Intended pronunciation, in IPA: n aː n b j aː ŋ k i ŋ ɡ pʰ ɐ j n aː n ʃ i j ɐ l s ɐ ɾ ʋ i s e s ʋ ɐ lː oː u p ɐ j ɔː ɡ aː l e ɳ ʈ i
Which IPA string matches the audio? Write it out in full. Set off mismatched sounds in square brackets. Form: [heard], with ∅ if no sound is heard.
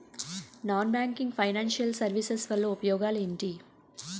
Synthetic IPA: n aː n b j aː ŋ k i ŋ ɡ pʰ ɐ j n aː n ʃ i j ɐ l s ɐ ɾ ʋ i s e s ʋ ɐ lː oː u p ɐ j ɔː ɡ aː l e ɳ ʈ i